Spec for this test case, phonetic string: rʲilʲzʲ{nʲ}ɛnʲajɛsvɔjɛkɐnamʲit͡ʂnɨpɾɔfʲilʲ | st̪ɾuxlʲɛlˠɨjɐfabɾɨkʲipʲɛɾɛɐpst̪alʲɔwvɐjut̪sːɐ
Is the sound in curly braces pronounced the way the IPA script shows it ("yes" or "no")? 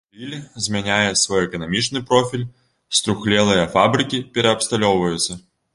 no